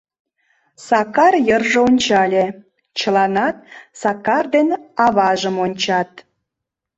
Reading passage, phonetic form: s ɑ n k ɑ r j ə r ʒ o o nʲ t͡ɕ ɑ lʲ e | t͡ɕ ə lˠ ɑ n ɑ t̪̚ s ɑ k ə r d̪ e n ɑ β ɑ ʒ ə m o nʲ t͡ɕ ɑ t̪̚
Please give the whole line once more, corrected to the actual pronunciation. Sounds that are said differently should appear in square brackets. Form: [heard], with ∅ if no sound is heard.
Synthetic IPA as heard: s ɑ [∅] k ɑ r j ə r ʒ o o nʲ t͡ɕ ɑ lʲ e | t͡ɕ ə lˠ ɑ n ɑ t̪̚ s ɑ k [ɑ] r d̪ e n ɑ β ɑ ʒ ə m o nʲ t͡ɕ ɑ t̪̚